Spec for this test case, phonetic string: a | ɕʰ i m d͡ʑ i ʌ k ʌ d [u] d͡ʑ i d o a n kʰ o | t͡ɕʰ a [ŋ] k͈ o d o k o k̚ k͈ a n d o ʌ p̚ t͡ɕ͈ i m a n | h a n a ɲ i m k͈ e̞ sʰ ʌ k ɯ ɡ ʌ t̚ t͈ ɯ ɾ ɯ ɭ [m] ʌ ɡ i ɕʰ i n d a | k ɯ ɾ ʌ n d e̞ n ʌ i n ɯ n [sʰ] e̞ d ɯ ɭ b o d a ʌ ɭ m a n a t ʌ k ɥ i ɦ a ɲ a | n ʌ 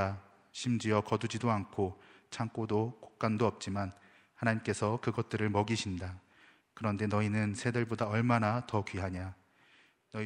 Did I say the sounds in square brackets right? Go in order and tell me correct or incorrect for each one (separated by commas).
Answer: correct, correct, correct, correct